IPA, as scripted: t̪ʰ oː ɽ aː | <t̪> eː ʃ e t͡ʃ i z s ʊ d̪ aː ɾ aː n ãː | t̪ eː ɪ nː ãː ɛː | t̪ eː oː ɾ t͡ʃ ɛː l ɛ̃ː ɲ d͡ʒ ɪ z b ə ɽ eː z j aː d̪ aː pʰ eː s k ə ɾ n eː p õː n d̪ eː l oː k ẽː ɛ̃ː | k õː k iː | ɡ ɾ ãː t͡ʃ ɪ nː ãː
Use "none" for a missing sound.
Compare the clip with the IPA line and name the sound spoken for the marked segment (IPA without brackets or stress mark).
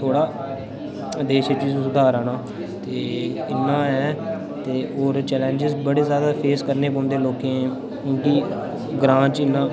d̪